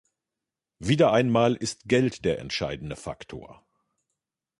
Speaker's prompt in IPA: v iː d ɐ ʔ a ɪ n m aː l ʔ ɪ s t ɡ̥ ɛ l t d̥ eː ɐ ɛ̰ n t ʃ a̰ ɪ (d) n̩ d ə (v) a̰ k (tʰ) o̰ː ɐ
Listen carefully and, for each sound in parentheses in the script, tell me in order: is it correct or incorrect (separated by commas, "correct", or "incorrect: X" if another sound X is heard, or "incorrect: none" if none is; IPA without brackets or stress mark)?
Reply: correct, incorrect: f, correct